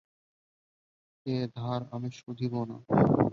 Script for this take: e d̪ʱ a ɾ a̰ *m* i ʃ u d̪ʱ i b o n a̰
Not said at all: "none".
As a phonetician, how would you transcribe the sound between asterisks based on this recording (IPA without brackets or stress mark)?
m